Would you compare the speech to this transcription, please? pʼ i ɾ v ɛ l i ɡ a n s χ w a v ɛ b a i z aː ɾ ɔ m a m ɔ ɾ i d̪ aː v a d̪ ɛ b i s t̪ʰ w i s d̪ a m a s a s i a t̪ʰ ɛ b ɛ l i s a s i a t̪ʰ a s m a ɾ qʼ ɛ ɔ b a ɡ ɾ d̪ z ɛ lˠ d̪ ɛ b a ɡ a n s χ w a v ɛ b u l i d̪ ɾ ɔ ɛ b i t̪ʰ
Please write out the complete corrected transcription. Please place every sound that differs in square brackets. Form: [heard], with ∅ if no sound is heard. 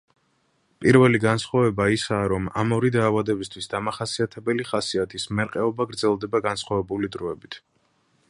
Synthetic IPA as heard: pʼ i ɾ v ɛ l i ɡ a n s χ w a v ɛ b a i [s] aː ɾ ɔ m a m ɔ ɾ i d̪ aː v a d̪ ɛ b i s t̪ʰ w i s d̪ a m a [χ] a s i a t̪ʰ ɛ b ɛ l i [χ] a s i a t̪ʰ [i] s m [ɛ] ɾ qʼ ɛ ɔ b a ɡ ɾ d̪ z ɛ lˠ d̪ ɛ b a ɡ a n s χ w a v ɛ b u l i d̪ ɾ ɔ ɛ b i t̪ʰ